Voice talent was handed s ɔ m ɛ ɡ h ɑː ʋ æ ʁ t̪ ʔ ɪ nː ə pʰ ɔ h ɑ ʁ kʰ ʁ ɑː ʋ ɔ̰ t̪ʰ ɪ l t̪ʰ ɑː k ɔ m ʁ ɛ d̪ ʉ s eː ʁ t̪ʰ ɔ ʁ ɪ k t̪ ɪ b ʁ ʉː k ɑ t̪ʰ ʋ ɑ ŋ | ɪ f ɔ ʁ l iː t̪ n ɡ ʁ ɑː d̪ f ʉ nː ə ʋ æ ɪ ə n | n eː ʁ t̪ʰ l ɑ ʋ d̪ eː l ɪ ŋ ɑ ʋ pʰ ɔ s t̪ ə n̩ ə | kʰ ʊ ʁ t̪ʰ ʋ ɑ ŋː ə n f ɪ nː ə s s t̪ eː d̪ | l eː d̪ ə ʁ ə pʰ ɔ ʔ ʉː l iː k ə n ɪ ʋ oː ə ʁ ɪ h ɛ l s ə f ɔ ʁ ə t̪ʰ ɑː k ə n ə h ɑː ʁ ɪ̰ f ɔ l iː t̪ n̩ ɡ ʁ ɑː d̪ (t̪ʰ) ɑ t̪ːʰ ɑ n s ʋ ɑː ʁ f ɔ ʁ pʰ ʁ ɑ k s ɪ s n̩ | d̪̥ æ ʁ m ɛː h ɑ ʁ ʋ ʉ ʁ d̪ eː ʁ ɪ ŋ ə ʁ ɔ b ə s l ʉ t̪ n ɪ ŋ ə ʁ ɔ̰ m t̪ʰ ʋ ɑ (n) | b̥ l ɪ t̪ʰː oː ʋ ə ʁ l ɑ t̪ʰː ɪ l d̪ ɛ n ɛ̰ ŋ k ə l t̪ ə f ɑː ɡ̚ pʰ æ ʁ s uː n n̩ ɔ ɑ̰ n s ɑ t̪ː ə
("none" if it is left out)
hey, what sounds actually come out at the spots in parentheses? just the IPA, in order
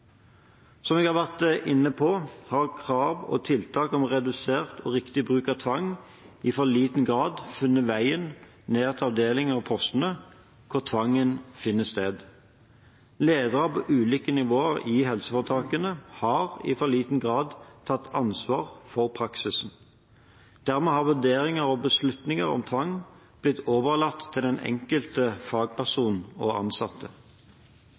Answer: t̪ʰ, ŋ

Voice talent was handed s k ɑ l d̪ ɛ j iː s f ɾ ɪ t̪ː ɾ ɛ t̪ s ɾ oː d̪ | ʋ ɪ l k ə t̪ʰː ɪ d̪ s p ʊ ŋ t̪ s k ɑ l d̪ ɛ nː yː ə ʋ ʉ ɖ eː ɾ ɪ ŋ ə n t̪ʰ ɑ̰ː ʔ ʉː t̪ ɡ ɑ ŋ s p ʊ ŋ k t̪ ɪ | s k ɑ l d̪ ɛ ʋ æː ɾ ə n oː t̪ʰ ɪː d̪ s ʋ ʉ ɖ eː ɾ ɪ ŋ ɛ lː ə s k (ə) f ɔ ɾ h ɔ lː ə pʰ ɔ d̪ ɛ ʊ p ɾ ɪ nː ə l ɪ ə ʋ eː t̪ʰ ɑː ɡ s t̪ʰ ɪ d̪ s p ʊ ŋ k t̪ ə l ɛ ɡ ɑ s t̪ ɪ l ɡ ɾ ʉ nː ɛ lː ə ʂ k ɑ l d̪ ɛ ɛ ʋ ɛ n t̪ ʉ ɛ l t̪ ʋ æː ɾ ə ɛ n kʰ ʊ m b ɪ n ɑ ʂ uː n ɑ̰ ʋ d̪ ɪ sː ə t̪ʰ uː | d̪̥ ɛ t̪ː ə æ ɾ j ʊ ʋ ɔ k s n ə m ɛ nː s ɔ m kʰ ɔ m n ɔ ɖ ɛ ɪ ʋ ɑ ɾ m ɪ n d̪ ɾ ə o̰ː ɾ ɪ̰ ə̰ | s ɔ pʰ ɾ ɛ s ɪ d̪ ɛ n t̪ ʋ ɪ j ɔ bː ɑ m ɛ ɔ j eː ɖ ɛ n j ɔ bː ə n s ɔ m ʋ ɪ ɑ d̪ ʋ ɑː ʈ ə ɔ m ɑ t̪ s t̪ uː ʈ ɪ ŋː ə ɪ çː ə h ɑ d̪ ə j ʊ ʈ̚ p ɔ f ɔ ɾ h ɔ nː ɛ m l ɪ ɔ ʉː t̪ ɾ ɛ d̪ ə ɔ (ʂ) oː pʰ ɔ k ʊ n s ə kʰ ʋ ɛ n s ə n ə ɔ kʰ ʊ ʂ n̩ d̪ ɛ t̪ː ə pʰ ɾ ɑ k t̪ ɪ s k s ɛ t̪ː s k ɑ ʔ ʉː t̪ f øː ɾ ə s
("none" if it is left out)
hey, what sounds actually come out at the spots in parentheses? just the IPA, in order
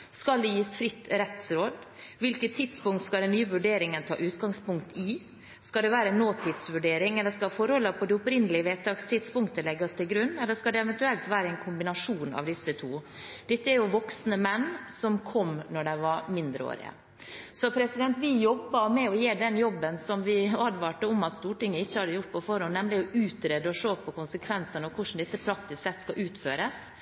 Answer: ɑ, ʂ

